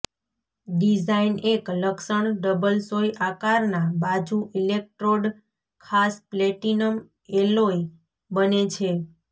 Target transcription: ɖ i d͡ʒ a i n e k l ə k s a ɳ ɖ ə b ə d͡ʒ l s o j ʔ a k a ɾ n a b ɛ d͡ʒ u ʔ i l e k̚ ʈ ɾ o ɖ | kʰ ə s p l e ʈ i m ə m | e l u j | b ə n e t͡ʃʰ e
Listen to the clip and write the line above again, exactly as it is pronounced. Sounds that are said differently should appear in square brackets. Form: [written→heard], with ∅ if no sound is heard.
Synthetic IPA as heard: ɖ i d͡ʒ a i n e k l ə k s [a→ə] ɳ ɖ ə b ə [d͡ʒ→∅] l s o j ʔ a k a ɾ n a b [ɛ→a] d͡ʒ u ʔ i l e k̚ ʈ ɾ o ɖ | kʰ [ə→a] s p l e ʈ i [m→n] ə m | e l [u→o] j | b ə n e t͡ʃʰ e